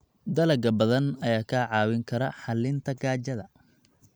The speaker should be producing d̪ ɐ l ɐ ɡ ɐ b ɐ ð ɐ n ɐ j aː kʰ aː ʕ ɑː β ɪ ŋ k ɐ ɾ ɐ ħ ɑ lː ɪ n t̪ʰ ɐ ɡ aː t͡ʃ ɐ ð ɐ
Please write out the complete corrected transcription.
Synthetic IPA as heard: d̪ ɐ l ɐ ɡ ɐ b ɐ ð ɐ n ɐ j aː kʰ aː ʕ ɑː w ɪ ŋ kʰ ɐ ɾ ɐ ħ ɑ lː ɪ n t̪ʰ ɐ ɡ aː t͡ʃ ɐ ð ɐ